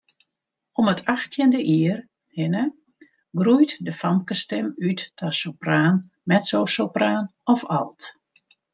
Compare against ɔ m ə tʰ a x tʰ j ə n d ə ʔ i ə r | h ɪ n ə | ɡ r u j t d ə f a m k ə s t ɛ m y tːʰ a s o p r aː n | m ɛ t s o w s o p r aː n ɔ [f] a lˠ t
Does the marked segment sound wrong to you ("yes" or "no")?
no